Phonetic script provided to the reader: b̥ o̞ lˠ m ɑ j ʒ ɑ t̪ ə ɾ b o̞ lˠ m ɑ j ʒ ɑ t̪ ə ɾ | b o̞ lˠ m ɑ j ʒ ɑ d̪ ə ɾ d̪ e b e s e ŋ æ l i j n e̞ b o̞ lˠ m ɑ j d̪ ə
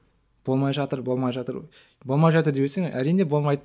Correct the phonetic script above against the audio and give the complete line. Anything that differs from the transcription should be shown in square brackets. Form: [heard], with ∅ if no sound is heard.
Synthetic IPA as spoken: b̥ o̞ lˠ m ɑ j ʒ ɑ t̪ ə ɾ b o̞ lˠ m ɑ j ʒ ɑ t̪ ə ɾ | b o̞ lˠ m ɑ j ʒ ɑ [t̪] ə ɾ d̪ e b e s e ŋ æ [ɾ] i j n e̞ b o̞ lˠ m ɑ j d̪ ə